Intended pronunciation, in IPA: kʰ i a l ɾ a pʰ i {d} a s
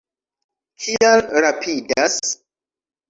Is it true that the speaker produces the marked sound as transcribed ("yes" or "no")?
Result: yes